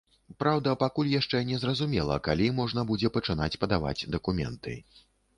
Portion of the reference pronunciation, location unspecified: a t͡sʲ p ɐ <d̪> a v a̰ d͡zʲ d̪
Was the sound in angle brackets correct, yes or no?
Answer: yes